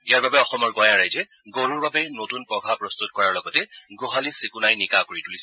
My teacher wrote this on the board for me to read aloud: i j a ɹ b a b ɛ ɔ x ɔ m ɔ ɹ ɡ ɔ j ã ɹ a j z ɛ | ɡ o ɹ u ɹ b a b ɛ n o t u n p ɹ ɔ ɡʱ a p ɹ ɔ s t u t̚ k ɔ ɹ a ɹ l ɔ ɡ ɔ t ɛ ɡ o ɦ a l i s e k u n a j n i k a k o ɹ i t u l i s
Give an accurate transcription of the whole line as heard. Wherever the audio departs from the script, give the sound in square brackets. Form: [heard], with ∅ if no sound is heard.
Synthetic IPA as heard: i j a ɹ b a b ɛ ɔ x ɔ m ɔ ɹ ɡ ɔ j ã ɹ a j z ɛ | ɡ o ɹ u ɹ b a b ɛ n o t u n p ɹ ɔ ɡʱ a p ɹ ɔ s t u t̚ k ɔ ɹ a ɹ l ɔ ɡ ɔ t ɛ ɡ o ɦ a l i s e k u n a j n i k a k o ɹ i t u l i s

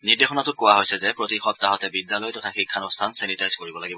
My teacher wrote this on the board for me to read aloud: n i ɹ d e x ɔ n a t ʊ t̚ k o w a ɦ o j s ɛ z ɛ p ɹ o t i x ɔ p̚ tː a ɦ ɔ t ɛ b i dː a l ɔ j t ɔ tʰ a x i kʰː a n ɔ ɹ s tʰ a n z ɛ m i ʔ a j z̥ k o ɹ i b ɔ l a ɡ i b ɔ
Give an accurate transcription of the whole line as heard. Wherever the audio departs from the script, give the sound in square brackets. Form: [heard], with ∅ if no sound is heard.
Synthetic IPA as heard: n i ɹ d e x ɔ n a t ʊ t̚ k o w a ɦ o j s ɛ z ɛ p ɹ o t i x ɔ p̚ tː a ɦ ɔ t ɛ b i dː a l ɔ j t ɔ tʰ a x i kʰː a n ɔ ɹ s tʰ a n [s] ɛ [n] i [t] a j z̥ k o ɹ i b ɔ l a ɡ i b ɔ

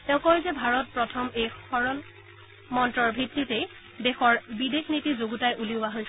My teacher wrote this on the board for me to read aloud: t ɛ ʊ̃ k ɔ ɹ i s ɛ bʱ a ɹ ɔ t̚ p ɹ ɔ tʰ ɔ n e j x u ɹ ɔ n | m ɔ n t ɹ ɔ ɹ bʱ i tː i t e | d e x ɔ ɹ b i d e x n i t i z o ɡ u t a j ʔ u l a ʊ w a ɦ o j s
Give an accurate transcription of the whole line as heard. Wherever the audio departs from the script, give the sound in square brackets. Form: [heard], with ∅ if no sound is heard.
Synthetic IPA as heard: t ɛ ʊ̃ k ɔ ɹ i [z] ɛ bʱ a ɹ ɔ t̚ p ɹ ɔ tʰ ɔ [m] e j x [ɔ] ɹ ɔ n | m ɔ n t ɹ ɔ ɹ bʱ i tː i t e | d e x ɔ ɹ b i d e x n i t i z o ɡ u t a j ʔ u l [i] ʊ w a ɦ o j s

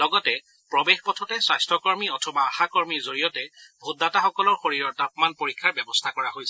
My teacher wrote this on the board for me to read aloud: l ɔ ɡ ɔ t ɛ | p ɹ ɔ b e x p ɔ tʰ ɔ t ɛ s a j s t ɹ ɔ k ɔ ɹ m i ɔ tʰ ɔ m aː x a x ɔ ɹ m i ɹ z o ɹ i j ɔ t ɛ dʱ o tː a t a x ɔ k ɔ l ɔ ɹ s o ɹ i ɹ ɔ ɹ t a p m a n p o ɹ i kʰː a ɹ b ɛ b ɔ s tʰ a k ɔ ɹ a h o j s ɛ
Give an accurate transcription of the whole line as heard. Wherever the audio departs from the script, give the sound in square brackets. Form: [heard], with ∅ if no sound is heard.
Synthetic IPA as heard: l ɔ ɡ ɔ t ɛ | p ɹ ɔ b e x p ɔ tʰ ɔ t ɛ s a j s t ɹ ɔ k ɔ ɹ m i ɔ tʰ ɔ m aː x a [k] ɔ ɹ m i ɹ z o ɹ i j ɔ t ɛ [bʱ] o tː a t a x ɔ k ɔ l ɔ ɹ [x] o ɹ i ɹ ɔ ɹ t a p m a n p o ɹ i kʰː a ɹ b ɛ b ɔ s tʰ a k ɔ ɹ a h o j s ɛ

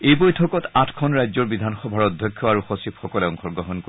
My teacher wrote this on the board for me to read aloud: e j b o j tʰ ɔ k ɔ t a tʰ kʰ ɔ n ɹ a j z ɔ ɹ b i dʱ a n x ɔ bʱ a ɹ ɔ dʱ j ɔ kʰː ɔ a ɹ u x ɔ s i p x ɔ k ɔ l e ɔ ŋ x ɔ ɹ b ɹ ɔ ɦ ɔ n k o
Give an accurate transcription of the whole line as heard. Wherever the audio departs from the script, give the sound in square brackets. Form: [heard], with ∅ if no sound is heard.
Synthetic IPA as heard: e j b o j tʰ ɔ k ɔ t a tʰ kʰ ɔ n ɹ a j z ɔ ɹ b i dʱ a n x ɔ bʱ a ɹ ɔ dʱ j ɔ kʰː ɔ a ɹ u x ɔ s i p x ɔ k ɔ l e ɔ ŋ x ɔ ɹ [ɡ] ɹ ɔ ɦ ɔ n k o

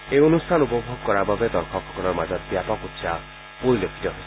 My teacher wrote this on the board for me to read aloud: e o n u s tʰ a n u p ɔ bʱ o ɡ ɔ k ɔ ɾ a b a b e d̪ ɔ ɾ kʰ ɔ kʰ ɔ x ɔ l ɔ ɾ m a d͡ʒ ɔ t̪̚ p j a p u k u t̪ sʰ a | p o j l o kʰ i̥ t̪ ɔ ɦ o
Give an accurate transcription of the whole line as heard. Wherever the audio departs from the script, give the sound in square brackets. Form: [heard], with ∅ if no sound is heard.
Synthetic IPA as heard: e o n u s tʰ a n u p ɔ bʱ o ɡ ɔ k ɔ ɾ a b a b e d̪ ɔ ɾ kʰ ɔ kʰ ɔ [k] ɔ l ɔ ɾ m a d͡ʒ ɔ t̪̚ [b] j a p [ɔ] k u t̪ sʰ a | p o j l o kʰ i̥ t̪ ɔ ɦ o

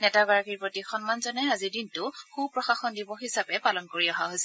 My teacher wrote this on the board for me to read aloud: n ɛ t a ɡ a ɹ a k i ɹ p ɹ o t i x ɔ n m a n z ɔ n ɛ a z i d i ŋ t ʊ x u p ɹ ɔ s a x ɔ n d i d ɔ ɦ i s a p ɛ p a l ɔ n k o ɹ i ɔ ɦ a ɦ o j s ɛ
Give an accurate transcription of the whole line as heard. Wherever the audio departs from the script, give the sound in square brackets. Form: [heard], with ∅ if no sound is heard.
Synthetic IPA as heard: n ɛ t a ɡ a ɹ a k i ɹ p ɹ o t i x ɔ n m a n z ɔ n ɛ a z i d i [n] t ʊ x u p ɹ ɔ [x] a x ɔ n d i [b] ɔ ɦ i s a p ɛ p a l ɔ n k o ɹ i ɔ ɦ a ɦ o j s ɛ

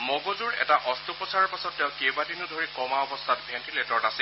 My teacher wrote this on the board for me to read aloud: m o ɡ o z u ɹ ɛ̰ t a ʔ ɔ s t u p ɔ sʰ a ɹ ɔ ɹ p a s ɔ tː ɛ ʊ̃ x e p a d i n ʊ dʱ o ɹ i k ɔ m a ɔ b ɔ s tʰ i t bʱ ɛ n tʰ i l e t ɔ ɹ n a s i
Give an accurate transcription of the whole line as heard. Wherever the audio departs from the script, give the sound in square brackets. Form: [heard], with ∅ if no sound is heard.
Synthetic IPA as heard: m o ɡ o z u ɹ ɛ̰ t a ʔ ɔ s t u p ɔ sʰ a ɹ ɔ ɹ p a s ɔ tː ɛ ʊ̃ [k] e [b] a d i n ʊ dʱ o ɹ i k ɔ m a ɔ b ɔ s tʰ [a] t bʱ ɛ n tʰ i l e t ɔ ɹ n a s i

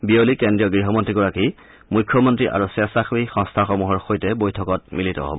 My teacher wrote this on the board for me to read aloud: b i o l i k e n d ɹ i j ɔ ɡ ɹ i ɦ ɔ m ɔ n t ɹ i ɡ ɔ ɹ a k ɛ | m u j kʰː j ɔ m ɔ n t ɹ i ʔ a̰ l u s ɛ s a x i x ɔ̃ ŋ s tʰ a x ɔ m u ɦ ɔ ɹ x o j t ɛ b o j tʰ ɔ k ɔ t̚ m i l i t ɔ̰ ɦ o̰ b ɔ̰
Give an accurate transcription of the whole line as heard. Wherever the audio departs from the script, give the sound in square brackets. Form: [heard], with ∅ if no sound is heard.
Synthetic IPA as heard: b i o l i k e n d ɹ i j ɔ ɡ ɹ i ɦ ɔ m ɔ n t ɹ i ɡ ɔ ɹ a k [i] | m u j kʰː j ɔ m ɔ n t ɹ i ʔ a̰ [ɹ] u s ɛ s a x i x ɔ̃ ŋ s tʰ a x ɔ m u ɦ ɔ ɹ x o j t ɛ b o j tʰ ɔ k ɔ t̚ m i l i t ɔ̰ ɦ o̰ b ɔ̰

